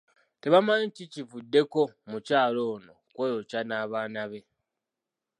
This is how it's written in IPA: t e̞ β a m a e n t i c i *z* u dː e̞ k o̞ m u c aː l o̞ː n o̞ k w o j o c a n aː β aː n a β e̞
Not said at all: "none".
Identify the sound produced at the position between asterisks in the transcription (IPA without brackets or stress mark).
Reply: v